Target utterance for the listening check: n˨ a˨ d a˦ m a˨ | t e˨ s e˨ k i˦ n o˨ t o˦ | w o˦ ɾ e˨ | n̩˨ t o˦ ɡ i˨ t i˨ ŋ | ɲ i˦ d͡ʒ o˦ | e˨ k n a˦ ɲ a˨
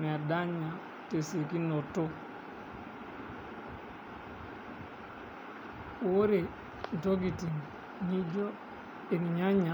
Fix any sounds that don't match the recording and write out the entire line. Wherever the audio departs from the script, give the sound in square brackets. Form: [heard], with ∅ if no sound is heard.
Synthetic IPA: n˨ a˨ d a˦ [ɲ] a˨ | t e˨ s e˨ k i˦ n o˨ t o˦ | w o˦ ɾ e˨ | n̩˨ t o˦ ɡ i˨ t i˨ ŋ | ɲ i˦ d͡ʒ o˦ | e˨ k [ɲ] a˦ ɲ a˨

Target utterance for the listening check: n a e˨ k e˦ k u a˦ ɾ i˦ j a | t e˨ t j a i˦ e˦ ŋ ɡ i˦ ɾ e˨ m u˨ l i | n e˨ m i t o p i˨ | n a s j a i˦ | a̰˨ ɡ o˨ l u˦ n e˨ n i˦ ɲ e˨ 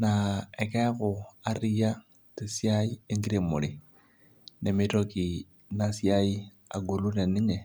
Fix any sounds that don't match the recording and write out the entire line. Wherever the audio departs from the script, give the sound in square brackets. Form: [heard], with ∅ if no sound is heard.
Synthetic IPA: n a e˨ k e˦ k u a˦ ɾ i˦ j a | t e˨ [s] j a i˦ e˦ ŋ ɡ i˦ ɾ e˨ m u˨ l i | n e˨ m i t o [k] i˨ | n a s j a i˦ | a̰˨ ɡ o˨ l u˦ n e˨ n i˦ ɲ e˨

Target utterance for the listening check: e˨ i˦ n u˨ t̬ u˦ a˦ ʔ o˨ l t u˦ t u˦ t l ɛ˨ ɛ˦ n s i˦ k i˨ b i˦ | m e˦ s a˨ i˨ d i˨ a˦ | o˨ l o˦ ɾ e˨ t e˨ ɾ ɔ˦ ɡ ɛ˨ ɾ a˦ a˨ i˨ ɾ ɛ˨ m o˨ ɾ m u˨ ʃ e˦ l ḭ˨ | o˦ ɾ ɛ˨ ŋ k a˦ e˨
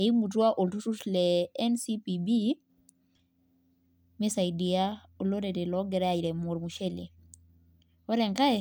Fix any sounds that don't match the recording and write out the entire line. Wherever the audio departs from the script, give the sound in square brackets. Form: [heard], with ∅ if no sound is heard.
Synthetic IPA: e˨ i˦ [m] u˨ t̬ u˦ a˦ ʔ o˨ l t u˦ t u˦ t l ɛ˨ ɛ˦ n s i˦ [p] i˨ b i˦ | m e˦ s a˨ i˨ d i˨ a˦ | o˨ l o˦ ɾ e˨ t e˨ [l] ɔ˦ ɡ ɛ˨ ɾ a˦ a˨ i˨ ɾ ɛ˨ m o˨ ɾ m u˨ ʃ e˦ l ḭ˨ | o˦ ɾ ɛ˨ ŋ k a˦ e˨

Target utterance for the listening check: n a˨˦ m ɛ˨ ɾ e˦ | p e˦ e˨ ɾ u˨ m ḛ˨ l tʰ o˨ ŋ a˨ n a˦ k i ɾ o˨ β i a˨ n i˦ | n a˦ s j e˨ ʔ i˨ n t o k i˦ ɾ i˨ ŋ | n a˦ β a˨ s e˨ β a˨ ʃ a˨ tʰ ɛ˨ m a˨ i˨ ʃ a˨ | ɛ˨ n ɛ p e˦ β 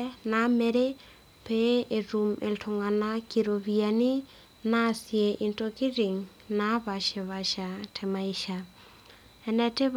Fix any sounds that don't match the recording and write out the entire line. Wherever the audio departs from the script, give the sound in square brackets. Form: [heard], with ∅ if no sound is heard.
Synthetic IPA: n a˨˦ m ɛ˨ ɾ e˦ | p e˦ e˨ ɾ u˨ m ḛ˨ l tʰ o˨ ŋ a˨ n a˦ k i ɾ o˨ β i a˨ n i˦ | n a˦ s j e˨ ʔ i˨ n t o k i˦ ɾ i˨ ŋ | n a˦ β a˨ [ʃ] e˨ β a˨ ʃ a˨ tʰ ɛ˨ m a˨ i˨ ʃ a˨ | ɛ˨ n ɛ [t] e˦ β

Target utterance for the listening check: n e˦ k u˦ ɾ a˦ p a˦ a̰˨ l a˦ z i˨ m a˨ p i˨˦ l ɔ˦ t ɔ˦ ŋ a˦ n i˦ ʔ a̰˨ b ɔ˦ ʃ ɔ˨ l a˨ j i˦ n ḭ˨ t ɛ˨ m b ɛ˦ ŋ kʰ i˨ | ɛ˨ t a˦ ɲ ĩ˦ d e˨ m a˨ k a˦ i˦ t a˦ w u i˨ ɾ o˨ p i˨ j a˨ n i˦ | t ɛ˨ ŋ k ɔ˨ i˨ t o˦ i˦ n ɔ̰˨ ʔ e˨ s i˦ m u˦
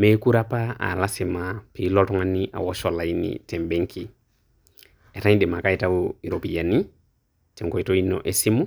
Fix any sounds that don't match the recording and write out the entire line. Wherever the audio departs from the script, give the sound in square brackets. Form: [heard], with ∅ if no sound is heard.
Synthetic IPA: [m] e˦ k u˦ ɾ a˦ p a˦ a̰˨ l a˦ [s] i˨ m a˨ p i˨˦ l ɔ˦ t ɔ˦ ŋ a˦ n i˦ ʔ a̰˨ [w] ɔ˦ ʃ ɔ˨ l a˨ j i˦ n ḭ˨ t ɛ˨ m b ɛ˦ ŋ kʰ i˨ | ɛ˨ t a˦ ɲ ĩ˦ d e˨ m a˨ k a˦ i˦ t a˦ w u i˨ ɾ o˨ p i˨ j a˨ n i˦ | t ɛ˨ ŋ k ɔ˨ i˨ t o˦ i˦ n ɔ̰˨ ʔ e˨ s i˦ m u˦

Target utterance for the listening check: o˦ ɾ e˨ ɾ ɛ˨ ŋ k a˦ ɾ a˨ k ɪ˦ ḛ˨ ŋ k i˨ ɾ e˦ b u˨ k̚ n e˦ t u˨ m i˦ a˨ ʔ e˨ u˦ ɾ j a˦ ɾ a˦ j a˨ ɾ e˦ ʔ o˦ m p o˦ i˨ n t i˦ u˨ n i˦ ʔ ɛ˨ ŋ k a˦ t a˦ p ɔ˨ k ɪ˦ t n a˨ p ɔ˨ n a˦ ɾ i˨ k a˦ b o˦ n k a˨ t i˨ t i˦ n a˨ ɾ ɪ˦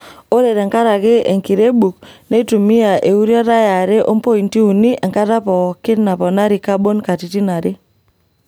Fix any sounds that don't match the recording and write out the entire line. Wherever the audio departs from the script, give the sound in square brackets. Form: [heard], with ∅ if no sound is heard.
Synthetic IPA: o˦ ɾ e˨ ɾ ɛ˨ ŋ k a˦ ɾ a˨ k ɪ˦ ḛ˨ ŋ k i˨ ɾ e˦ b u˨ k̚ n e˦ t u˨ m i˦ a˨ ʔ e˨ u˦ ɾ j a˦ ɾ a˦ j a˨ ɾ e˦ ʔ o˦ m p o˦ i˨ n t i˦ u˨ n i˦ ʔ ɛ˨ ŋ k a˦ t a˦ p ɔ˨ k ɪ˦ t n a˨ p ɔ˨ n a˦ ɾ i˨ k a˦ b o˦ n k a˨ t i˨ t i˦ n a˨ ɾ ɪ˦

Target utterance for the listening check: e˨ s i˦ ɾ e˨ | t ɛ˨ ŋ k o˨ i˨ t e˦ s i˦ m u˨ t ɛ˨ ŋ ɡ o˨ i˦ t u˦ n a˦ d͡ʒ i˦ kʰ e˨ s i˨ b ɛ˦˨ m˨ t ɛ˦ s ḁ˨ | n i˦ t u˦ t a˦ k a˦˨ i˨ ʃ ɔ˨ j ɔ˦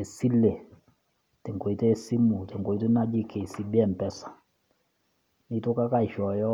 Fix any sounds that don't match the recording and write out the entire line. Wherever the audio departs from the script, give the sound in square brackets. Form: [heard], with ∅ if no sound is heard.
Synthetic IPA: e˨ s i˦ [l] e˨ | t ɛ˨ ŋ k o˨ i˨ t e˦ s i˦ m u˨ t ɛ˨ ŋ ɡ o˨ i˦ t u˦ n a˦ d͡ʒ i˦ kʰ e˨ s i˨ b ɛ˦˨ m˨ [p] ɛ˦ s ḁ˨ | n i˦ t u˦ [k] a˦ k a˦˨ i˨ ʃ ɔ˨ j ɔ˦

